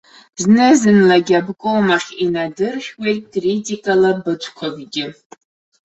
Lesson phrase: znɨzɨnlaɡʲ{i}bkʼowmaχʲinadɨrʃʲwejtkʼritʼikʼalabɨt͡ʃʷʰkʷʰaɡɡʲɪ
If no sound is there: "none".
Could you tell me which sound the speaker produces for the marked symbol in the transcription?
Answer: a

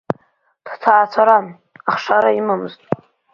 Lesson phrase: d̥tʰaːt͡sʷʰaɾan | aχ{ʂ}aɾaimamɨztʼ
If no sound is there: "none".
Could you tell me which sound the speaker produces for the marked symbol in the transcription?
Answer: ʂ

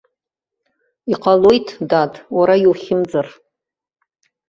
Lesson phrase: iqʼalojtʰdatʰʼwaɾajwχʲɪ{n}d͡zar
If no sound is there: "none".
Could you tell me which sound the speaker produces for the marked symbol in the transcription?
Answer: m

